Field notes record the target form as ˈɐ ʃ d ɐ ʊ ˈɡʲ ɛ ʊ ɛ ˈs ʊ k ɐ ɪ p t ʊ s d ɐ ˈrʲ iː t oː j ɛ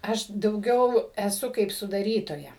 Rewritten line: ˈɐ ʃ d ɐ ʊ ˈɡʲ ɛ ʊ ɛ ˈs ʊ k ɐ ɪ p s ʊ d ɐ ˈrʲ iː t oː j ɛ